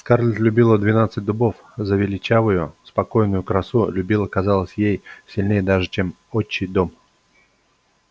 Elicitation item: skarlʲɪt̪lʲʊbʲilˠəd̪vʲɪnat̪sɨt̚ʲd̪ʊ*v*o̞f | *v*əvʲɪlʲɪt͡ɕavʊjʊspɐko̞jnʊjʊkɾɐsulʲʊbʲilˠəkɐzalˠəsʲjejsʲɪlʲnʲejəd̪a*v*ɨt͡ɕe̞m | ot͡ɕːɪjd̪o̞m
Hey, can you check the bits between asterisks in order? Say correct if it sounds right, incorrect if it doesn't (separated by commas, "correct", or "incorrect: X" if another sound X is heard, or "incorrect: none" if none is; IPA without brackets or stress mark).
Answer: incorrect: b, incorrect: z, incorrect: ʐ